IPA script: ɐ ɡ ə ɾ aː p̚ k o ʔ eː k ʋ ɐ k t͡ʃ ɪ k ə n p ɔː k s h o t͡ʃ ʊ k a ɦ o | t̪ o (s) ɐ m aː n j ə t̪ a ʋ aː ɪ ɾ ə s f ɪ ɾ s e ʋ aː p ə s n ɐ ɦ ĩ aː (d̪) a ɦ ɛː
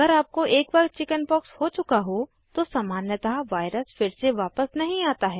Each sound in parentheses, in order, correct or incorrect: correct, incorrect: t̪

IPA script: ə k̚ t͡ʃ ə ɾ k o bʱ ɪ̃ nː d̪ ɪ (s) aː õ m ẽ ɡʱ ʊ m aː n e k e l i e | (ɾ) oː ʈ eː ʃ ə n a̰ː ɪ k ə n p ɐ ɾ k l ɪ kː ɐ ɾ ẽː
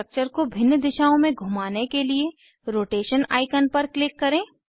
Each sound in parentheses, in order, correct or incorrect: incorrect: ʃ, correct

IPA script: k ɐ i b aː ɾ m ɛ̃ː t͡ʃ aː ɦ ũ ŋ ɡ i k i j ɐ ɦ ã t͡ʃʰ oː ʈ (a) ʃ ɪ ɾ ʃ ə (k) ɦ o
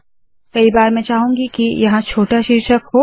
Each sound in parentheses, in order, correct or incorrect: correct, correct

